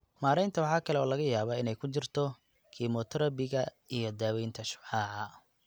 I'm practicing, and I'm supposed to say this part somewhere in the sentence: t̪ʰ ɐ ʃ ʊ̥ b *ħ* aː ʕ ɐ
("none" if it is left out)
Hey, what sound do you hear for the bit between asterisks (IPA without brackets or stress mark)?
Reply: ħ